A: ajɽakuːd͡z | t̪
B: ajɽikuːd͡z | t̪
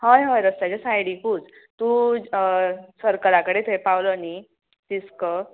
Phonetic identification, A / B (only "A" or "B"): B